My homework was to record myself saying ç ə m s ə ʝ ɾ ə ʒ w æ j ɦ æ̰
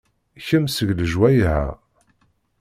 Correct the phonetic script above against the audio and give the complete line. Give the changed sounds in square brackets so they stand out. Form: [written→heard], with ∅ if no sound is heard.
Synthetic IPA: ç ə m s ə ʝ [ɾ→l] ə ʒ w æ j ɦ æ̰